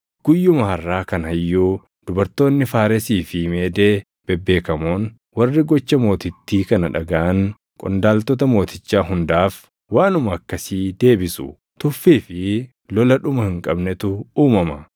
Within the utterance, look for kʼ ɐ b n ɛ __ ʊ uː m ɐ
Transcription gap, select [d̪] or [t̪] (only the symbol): t̪